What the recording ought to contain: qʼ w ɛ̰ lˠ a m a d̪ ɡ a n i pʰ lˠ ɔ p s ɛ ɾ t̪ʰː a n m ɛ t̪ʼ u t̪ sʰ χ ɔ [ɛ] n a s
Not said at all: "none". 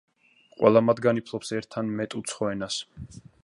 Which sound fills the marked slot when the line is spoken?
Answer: ɛ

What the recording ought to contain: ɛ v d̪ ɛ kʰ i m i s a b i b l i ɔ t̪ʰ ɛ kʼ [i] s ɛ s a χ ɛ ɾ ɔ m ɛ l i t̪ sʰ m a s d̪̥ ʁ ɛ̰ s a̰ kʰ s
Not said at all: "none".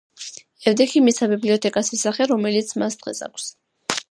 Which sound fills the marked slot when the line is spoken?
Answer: a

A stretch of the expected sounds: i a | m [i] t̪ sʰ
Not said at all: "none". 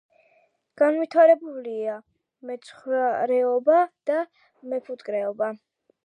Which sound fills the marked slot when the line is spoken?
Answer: ɛ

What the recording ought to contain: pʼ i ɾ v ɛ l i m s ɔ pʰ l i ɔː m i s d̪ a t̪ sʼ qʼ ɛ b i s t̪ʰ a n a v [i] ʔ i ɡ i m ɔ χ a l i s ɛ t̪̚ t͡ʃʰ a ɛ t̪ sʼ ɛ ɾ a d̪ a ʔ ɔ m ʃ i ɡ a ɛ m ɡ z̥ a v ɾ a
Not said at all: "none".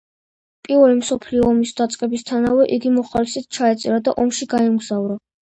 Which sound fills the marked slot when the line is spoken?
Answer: ɛ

